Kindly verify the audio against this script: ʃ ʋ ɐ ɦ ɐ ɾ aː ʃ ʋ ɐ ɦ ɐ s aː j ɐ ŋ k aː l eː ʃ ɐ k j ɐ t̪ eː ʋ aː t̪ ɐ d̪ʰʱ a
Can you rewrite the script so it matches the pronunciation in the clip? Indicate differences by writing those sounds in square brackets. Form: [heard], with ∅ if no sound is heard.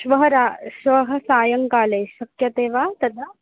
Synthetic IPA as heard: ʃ ʋ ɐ ɦ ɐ ɾ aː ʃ ʋ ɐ ɦ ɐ s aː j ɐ ŋ k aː l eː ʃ ɐ k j ɐ t̪ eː ʋ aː t̪ ɐ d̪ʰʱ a